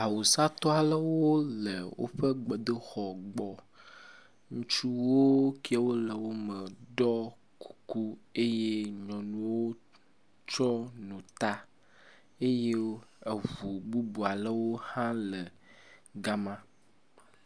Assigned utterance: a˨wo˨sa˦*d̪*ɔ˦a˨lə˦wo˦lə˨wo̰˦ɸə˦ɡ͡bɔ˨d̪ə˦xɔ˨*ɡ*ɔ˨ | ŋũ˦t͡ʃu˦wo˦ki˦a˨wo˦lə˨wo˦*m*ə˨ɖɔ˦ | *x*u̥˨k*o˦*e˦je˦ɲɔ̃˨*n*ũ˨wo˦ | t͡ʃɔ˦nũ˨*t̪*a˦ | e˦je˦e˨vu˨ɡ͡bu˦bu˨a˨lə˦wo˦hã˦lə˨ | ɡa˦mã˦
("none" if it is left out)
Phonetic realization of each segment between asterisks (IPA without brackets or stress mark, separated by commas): t̪, ɡ͡b, m, k, u˦, n, t̪